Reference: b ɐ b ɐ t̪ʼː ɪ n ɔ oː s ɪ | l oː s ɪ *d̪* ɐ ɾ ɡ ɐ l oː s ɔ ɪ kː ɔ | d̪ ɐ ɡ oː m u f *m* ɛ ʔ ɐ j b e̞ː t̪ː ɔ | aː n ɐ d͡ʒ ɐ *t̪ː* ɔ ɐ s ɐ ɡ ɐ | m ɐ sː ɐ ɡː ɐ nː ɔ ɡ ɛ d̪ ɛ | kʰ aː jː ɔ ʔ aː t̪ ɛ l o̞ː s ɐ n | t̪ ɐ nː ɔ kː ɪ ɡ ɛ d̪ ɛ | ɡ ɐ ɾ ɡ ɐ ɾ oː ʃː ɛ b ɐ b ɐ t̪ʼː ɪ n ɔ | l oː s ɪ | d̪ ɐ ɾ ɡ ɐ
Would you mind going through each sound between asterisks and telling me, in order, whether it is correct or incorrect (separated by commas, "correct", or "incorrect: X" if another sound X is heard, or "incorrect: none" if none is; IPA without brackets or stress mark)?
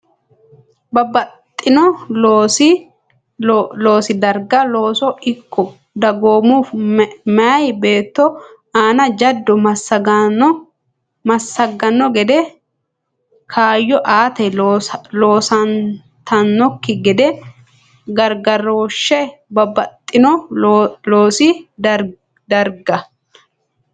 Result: correct, correct, incorrect: d̪ː